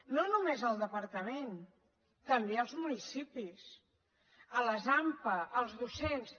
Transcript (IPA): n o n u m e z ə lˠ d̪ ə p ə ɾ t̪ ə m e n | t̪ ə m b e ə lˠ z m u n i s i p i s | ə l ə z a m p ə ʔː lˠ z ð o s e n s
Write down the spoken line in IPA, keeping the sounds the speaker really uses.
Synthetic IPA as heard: n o n u m e z ə lˠ d̪ ə p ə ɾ t̪ ə m e n | t̪ ə m b e ə lˠ z m u n i s i p i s | ə l ə z a m p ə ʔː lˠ z ð u s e n s

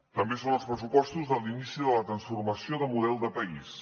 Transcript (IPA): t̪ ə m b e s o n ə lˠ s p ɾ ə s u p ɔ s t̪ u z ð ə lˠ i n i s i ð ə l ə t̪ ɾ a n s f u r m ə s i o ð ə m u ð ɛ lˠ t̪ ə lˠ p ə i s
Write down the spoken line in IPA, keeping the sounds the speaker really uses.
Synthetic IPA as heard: t̪ ə m b e s o n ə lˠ s p ɾ ə s u p ɔ s t̪ u z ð ə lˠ i n i s i ð ə l ə t̪ ɾ ə n s f u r m ə s i o ð ə m u ð ɛ lˠ d̪ ə p ə i s

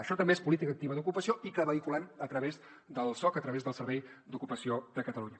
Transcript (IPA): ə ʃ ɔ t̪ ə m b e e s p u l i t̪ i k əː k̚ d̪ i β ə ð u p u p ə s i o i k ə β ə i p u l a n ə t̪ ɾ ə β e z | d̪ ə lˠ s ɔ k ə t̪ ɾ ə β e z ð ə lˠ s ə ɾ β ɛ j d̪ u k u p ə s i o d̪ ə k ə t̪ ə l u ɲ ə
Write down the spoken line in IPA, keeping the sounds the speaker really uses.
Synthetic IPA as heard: ə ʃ ɔ t̪ ə m b e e s p u l i t̪ i k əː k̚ t̪ i β ə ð u k u p ə s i o i k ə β ə i k u l a n ə t̪ ɾ ə β e z | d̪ ə lˠ s ɔ k ə t̪ ɾ ə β e z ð ə lˠ s ə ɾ β ɛ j d̪ u k u p ə s i o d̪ ə k ə t̪ ə l u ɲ ə

